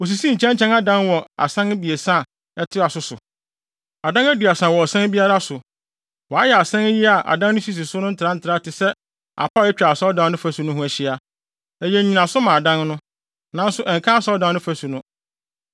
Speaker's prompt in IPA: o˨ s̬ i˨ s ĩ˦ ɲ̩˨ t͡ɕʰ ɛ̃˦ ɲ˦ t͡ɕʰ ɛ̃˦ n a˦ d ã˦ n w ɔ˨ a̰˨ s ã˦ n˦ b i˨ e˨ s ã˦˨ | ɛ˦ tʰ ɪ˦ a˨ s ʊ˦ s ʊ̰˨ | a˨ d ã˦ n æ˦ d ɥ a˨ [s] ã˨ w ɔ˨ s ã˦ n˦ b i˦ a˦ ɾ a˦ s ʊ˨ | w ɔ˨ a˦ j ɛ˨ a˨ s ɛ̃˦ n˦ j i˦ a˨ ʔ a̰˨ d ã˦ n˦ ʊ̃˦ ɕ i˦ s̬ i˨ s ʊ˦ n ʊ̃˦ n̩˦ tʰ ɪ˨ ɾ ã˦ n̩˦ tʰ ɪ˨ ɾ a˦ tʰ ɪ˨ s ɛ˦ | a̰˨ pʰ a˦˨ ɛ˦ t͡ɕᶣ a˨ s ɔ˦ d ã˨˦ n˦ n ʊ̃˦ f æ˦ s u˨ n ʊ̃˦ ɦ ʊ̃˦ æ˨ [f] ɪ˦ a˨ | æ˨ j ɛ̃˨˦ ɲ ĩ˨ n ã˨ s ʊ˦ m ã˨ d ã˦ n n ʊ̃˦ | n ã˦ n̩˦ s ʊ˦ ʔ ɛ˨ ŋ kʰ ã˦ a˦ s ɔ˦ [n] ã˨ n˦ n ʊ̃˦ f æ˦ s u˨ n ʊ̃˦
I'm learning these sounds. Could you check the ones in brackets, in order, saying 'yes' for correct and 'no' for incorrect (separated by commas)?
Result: yes, no, no